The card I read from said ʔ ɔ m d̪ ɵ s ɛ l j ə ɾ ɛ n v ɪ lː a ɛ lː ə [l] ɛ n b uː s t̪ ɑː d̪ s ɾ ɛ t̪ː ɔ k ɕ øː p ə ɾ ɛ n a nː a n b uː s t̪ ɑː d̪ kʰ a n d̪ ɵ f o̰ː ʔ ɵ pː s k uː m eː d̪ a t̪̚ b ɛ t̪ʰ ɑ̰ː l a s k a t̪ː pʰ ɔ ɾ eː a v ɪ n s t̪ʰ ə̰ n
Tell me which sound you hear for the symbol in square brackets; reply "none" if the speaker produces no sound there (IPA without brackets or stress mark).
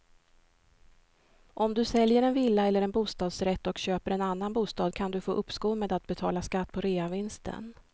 ɾ